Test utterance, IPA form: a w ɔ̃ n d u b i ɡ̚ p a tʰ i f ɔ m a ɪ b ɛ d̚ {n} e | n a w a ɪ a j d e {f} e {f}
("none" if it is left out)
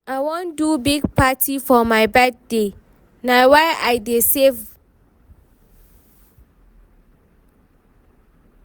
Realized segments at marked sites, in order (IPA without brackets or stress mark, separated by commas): d, s, v